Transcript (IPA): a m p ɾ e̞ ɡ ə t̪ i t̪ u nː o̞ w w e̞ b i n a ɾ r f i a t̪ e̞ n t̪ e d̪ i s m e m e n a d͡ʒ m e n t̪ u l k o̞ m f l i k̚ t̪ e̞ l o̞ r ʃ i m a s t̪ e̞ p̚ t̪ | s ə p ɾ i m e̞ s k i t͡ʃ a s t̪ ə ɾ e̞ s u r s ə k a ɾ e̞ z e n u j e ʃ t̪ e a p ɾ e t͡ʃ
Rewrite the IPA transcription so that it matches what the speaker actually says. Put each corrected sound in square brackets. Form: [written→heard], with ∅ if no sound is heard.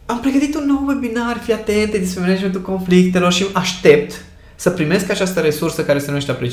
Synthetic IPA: a m p ɾ e̞ ɡ ə t̪ i t̪ u nː o̞ w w e̞ b i n a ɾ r f i a t̪ e̞ n t̪ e d̪ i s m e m e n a d͡ʒ m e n t̪ u l k o̞ [m→n] f l i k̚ t̪ e̞ l o̞ r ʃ i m a [s→ʃ] t̪ e̞ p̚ t̪ | s ə p ɾ i m e̞ s k [i→a] t͡ʃ a s t̪ ə ɾ e̞ s u r s ə k a ɾ e̞ [z→s] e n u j e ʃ t̪ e a p ɾ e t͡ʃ